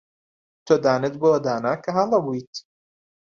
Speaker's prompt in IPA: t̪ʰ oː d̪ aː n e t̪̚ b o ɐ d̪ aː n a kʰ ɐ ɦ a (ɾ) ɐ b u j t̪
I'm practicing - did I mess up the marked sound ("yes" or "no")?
yes